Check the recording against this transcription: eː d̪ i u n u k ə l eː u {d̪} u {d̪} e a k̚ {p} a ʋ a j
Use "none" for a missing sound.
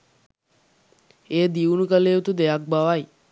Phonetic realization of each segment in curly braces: t̪, d̪, b

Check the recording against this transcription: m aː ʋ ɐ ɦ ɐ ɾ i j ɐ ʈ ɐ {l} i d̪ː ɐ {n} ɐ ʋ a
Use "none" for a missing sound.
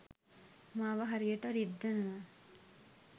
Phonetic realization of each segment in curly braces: ɾ, n

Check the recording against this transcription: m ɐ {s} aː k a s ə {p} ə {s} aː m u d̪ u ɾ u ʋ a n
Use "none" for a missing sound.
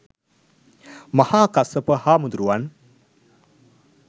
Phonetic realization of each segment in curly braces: h, p, h

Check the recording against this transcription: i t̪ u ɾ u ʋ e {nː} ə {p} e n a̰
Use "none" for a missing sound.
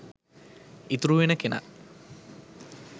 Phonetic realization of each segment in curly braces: n, k

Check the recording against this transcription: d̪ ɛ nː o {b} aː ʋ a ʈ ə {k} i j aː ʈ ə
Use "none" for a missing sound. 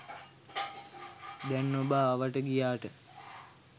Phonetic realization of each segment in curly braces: b, ɡ

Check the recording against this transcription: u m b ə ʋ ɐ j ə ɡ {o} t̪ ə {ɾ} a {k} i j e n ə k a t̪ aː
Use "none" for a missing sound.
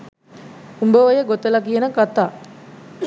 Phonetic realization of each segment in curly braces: o, l, k

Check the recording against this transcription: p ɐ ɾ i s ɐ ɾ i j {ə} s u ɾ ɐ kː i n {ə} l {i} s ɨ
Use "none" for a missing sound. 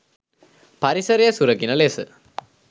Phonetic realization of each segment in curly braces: ɐ, ɐ, e

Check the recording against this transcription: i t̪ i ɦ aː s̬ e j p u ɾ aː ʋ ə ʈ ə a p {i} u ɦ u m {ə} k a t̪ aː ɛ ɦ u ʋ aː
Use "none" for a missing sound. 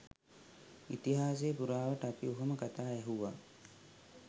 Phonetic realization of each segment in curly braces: i, ə

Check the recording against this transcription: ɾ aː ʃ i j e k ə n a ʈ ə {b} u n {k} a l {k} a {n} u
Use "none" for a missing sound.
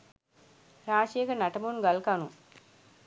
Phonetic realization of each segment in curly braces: m, ɡ, k, n

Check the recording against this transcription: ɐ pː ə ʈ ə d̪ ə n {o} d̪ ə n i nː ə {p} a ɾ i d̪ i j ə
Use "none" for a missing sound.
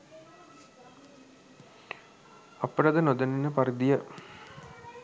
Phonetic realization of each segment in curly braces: o, p

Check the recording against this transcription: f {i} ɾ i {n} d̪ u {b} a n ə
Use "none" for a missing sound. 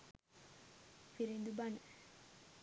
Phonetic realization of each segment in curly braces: i, n, b

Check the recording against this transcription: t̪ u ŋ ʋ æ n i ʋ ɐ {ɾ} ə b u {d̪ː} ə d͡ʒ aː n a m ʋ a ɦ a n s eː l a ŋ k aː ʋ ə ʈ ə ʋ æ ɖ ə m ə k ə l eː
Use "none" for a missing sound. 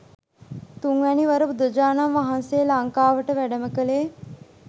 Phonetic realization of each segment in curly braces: ɾ, d̪

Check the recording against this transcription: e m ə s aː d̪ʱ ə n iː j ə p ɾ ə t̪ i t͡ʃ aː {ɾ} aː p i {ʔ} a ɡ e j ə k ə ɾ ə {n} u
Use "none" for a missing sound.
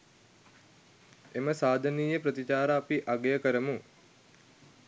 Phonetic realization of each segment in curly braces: ɾ, ʔ, m

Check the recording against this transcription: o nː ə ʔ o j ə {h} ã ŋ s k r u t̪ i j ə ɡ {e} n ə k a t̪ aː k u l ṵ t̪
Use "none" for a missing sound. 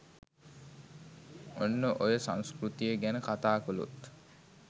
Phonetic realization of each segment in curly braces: s, æ

